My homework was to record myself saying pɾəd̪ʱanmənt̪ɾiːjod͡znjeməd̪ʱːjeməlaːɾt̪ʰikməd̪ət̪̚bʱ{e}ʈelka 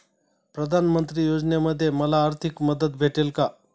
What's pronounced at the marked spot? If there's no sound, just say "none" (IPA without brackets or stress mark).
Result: e